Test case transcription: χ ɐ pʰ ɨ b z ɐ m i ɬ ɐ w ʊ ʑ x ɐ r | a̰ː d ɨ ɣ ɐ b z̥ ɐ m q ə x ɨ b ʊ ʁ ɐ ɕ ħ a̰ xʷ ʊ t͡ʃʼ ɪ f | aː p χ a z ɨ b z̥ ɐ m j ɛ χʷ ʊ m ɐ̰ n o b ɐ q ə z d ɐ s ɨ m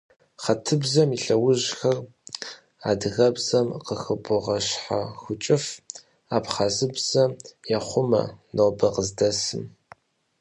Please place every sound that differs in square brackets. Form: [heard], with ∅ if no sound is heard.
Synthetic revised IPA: χ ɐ [tʰ] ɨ b z ɐ m i ɬ ɐ w ʊ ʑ x ɐ r | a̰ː d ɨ ɣ ɐ b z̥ ɐ m q ə x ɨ b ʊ ʁ ɐ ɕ ħ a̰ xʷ ʊ t͡ʃʼ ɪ f | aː p χ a z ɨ b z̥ ɐ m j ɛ χʷ ʊ m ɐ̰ n o b ɐ q ə z d ɐ s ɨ m